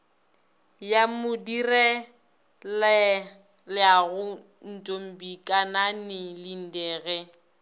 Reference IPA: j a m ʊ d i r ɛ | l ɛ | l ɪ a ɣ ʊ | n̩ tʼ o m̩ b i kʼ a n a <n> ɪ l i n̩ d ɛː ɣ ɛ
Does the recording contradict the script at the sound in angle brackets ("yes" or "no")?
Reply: no